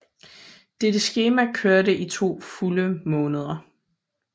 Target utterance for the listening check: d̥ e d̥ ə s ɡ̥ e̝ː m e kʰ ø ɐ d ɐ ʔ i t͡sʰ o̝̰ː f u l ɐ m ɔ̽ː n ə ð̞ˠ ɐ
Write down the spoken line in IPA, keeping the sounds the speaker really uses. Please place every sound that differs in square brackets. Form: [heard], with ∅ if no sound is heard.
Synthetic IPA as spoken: d̥ e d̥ ə s ɡ̥ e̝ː m [æ] kʰ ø ɐ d [ə] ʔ i t͡sʰ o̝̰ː f u l [ə] m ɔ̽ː n ə ð̞ˠ ɐ